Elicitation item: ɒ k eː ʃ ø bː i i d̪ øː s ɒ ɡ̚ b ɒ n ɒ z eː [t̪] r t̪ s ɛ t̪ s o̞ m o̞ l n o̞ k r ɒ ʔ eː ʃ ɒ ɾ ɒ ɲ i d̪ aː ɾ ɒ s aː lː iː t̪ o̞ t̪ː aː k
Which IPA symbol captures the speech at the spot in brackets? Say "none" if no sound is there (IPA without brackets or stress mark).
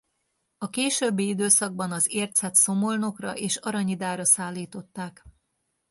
none